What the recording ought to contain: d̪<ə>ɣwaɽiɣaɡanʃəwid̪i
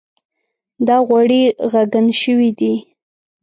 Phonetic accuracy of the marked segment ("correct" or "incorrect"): incorrect